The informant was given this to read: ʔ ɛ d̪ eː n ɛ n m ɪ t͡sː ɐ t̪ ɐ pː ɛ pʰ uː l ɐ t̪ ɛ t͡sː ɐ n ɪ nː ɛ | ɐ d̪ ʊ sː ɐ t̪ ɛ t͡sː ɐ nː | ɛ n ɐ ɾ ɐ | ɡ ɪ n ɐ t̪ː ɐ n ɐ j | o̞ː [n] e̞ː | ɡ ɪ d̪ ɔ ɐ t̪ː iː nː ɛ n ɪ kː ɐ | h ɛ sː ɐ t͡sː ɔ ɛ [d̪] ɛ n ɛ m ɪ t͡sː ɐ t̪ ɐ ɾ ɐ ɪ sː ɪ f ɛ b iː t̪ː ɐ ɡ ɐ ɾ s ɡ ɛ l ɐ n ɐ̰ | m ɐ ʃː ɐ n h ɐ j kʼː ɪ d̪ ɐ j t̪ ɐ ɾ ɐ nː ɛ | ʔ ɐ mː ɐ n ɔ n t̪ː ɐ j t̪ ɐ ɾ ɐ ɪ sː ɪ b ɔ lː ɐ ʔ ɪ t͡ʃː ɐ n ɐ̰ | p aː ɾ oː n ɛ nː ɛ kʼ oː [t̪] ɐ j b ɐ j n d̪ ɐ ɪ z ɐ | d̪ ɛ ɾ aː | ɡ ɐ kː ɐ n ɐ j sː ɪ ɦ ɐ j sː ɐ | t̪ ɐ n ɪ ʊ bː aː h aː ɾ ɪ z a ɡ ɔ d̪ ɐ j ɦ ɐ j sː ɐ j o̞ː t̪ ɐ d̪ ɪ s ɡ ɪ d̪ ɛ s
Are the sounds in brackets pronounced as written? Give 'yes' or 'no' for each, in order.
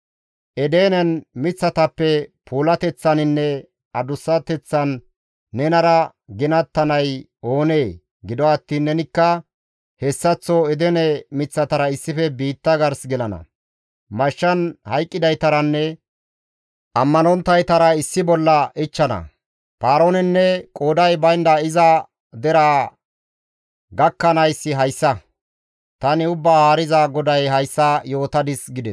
yes, yes, no

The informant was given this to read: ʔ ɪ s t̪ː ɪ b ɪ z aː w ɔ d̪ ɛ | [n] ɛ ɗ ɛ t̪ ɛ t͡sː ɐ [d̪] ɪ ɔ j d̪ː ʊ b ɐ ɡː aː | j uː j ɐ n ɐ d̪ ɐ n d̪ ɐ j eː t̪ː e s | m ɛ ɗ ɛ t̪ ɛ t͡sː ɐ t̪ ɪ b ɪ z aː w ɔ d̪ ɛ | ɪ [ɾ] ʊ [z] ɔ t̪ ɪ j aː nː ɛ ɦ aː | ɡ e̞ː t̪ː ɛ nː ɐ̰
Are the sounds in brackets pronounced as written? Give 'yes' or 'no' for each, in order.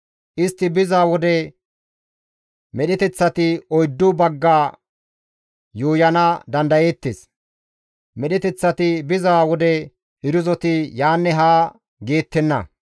no, no, yes, yes

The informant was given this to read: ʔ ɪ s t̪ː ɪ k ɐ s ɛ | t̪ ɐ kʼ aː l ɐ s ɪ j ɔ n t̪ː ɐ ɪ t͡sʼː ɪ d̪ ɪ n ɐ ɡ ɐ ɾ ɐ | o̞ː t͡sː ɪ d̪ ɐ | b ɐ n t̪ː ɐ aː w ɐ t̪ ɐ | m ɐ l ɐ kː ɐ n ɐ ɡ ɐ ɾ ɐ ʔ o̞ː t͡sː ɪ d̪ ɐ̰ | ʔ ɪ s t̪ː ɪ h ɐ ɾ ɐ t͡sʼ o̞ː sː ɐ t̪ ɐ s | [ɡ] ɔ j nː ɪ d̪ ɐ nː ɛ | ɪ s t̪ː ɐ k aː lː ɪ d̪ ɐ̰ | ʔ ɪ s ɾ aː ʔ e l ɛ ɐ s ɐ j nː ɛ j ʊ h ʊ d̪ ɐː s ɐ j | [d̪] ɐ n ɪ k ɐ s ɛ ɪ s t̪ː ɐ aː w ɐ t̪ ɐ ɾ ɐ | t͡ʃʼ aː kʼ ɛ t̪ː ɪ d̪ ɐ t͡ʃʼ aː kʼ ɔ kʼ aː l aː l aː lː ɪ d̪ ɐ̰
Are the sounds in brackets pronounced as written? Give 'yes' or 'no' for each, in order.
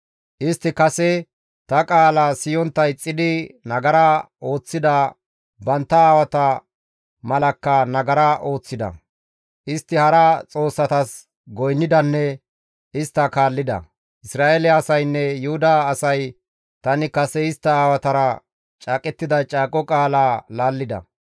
yes, no

